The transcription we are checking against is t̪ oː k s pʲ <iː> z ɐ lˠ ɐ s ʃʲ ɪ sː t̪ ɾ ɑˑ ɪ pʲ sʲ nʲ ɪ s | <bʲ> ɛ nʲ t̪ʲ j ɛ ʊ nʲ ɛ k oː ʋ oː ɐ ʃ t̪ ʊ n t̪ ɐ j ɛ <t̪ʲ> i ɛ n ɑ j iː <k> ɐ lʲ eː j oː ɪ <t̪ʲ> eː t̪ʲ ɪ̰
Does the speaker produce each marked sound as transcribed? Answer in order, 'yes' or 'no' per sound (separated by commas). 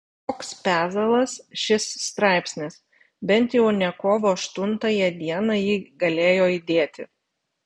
no, yes, no, no, no